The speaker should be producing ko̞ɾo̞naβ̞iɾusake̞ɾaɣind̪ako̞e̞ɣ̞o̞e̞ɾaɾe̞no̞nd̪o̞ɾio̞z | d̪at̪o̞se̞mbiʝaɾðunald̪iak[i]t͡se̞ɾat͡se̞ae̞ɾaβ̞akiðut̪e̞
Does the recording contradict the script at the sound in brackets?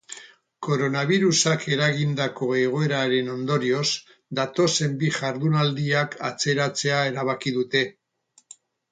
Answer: yes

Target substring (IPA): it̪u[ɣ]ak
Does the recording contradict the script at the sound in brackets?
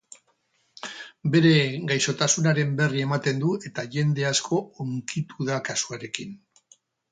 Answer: yes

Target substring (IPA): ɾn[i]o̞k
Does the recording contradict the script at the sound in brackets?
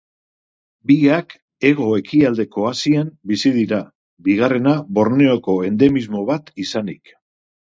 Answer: yes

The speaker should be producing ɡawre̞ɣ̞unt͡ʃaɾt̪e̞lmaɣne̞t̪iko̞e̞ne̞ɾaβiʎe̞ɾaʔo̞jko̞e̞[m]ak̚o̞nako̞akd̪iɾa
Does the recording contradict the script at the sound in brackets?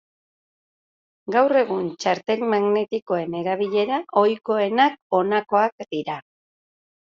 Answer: yes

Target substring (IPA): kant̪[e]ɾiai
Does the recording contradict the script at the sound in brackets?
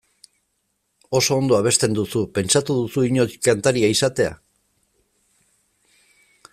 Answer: yes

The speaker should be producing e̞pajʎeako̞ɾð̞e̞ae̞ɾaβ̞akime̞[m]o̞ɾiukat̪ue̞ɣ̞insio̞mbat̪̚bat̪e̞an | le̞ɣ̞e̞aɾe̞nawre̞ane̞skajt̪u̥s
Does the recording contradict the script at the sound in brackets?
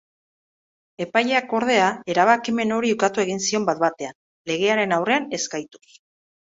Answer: yes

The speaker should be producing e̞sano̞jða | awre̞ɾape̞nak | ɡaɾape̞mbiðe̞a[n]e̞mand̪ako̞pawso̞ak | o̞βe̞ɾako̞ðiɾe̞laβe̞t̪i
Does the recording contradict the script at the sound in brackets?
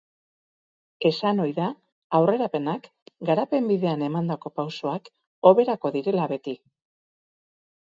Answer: no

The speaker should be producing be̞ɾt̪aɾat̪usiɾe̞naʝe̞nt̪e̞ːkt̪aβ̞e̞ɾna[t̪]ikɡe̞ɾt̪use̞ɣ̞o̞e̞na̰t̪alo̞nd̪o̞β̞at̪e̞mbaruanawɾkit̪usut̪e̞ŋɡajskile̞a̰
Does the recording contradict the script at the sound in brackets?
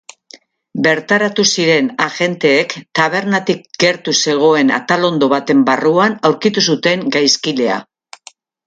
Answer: no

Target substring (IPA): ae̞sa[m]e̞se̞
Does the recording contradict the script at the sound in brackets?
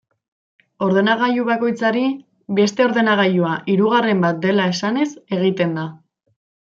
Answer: yes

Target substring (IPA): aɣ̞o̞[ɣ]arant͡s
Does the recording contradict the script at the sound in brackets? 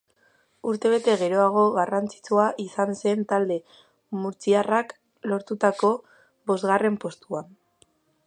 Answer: no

